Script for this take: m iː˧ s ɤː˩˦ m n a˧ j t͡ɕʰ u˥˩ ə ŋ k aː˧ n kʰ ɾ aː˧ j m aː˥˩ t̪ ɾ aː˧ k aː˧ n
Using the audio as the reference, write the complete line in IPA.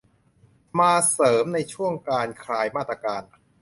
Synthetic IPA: m aː˧ s ɤː˩˦ m n a˧ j t͡ɕʰ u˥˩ ə ŋ k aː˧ n kʰ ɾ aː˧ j m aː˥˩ t̪ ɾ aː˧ k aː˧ n